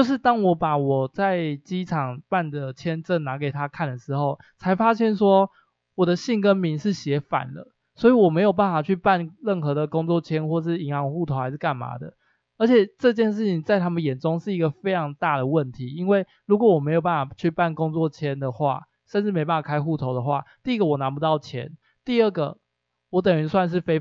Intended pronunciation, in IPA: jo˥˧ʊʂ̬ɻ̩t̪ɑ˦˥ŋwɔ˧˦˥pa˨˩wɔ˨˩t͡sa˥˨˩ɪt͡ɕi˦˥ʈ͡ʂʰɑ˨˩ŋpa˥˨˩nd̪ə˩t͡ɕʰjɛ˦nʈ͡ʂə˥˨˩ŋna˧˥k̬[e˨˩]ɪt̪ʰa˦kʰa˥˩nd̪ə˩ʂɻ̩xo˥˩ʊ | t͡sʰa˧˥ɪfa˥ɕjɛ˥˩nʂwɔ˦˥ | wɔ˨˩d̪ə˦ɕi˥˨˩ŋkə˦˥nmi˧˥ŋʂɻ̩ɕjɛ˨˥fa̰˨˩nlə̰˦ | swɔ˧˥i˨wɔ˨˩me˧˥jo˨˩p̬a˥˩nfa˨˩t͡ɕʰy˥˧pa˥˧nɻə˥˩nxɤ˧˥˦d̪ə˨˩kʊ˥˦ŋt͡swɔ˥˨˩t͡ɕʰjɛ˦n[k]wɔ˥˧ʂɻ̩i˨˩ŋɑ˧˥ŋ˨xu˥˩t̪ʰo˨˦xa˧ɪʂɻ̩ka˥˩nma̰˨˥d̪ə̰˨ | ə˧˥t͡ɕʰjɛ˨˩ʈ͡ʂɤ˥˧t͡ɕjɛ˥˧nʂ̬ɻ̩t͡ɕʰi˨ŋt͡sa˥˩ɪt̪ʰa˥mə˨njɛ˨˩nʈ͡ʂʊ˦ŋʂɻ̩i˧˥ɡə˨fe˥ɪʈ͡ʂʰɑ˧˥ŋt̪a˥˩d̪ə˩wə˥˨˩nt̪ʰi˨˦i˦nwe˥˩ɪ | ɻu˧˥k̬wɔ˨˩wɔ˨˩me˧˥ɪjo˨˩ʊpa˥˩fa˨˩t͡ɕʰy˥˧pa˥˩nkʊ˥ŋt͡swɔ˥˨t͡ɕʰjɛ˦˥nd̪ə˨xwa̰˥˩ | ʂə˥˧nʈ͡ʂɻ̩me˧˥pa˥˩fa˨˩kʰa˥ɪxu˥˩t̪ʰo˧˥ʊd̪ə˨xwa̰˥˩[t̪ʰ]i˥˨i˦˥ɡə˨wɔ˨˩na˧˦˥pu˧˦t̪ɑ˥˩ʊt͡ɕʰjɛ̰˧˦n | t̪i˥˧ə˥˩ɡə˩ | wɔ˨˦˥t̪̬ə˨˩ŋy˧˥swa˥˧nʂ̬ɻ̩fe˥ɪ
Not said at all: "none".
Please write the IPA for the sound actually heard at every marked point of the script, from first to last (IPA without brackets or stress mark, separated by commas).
e˨˩, x, t̪